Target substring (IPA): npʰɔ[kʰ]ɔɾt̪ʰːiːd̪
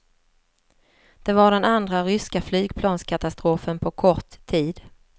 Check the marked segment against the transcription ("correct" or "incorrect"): correct